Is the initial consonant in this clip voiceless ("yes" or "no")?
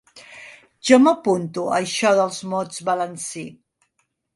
no